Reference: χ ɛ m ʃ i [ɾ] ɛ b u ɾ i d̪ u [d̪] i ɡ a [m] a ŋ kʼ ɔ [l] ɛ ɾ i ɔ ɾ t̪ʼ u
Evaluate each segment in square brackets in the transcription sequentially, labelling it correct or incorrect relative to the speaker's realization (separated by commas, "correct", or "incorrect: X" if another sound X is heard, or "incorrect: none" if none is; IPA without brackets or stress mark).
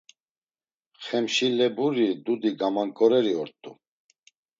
incorrect: l, correct, correct, incorrect: ɾ